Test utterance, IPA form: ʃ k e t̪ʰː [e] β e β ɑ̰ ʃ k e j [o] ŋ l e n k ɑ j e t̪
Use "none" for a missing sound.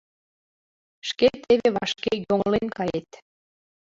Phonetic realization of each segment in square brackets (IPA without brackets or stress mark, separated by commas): e, o